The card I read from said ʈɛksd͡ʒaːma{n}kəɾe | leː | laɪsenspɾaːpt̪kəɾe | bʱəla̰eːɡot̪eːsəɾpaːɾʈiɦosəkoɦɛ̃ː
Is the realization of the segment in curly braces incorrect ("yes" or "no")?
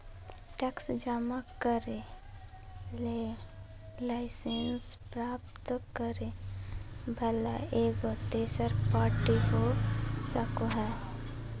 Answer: yes